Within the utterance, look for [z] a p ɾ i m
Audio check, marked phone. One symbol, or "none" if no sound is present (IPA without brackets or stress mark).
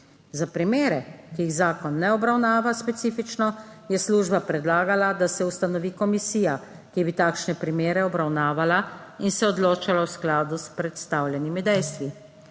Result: z